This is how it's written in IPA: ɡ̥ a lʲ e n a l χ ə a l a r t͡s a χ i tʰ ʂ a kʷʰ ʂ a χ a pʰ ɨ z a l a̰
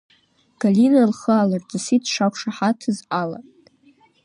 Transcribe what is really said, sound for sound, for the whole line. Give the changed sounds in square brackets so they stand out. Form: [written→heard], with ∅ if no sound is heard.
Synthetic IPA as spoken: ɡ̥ a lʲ [e→i] n a l χ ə a l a r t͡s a [χ→s] i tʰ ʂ a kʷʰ ʂ a [χ→ħ] a [pʰ→tʰ] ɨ z a l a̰